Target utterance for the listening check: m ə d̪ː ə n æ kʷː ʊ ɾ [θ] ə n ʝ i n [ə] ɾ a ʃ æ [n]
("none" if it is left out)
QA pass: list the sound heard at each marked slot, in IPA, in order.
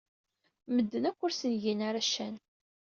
s, a, n

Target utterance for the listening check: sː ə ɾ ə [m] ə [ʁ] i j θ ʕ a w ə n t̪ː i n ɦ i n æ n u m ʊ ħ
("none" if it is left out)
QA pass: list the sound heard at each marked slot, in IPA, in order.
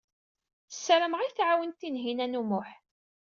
m, ʁ

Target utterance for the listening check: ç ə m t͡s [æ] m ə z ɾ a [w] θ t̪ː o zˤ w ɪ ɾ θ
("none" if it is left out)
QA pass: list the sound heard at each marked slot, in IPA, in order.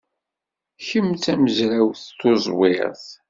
æ, w

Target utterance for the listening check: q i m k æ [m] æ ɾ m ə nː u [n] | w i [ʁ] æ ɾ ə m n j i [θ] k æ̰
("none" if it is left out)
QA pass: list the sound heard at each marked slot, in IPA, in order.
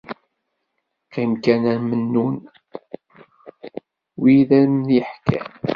n, n, ð, ħ

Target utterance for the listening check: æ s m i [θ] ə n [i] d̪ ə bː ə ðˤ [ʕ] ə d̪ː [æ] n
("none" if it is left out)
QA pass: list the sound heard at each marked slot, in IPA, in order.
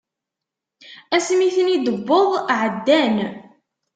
θ, i, ʕ, æ

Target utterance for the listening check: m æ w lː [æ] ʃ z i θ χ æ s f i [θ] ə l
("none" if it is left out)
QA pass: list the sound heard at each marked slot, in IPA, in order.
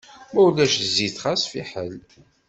æ, ħ

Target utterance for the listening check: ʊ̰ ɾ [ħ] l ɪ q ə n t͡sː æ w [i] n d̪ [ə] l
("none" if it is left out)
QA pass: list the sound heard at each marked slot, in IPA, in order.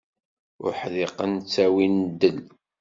ħ, i, ə

